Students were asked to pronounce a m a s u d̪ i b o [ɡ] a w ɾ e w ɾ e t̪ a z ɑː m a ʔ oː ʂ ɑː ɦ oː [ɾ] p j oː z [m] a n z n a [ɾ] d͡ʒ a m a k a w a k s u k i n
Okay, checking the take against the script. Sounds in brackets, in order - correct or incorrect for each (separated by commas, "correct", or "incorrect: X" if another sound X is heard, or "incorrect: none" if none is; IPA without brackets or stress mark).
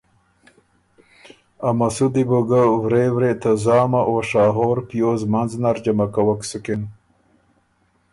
correct, correct, correct, correct